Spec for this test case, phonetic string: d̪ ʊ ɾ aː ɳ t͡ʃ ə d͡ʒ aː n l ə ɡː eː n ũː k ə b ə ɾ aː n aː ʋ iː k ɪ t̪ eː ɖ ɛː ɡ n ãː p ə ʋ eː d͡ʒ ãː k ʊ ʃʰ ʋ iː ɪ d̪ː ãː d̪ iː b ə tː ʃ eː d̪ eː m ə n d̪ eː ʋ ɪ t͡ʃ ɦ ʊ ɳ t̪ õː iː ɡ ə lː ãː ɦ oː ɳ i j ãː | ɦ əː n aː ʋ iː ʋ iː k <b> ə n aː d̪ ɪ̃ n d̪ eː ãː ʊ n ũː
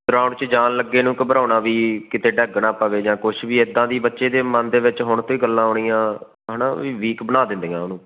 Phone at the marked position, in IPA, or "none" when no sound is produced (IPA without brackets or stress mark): b